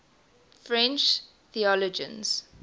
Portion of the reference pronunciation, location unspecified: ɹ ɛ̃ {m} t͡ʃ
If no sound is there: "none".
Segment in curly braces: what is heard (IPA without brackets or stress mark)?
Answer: n